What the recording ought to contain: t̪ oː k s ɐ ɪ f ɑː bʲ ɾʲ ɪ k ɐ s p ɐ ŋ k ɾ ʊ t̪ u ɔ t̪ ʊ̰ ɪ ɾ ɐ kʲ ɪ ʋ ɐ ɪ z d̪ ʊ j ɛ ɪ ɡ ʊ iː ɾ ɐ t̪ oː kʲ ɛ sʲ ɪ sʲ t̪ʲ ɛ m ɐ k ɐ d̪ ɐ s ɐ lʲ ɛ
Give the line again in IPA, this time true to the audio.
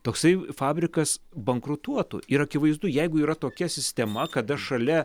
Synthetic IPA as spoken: t̪ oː k s ɐ ɪ f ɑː bʲ ɾʲ ɪ k ɐ s b ɐ ŋ k ɾ ʊ t̪ u ɔ t̪ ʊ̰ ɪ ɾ ɐ kʲ ɪ ʋ ɐ ɪ z d̪ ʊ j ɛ ɪ ɡ ʊ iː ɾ ɐ t̪ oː kʲ ɛ sʲ ɪ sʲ t̪ʲ ɛ m ɐ k ɐ d̪ ɐ ʃ ɐ lʲ ɛ